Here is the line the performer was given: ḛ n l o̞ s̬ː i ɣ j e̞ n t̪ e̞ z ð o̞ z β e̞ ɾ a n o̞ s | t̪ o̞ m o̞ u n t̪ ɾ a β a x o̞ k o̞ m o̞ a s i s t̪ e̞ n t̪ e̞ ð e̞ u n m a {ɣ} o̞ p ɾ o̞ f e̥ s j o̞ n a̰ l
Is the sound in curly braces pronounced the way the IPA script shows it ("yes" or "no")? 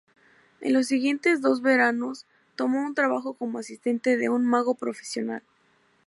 yes